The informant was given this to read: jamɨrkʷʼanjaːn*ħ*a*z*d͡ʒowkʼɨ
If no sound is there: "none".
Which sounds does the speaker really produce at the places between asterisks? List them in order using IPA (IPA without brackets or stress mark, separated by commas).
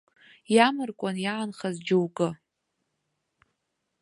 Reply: χ, z